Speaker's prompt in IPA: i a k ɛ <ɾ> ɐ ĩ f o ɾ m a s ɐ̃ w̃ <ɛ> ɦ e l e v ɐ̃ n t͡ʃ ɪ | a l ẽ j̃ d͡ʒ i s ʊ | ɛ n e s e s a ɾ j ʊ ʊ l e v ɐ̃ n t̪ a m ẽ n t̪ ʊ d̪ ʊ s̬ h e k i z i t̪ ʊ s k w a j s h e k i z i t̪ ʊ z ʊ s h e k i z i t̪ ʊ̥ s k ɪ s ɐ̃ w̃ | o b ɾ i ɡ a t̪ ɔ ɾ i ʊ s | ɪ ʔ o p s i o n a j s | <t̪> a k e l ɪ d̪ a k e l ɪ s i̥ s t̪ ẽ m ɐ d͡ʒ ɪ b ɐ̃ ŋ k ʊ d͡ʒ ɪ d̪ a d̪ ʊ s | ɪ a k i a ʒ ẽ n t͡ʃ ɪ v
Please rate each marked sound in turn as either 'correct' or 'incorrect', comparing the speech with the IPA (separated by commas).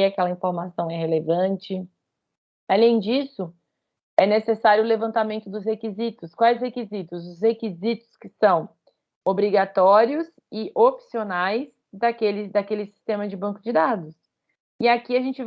incorrect, correct, incorrect